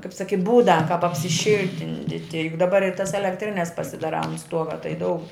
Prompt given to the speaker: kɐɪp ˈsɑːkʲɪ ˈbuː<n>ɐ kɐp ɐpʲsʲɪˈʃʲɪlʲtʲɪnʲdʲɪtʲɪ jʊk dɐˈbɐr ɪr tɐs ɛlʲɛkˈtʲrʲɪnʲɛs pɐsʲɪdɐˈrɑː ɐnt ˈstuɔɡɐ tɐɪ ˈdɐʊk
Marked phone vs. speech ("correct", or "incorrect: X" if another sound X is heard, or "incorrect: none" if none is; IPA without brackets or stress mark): incorrect: d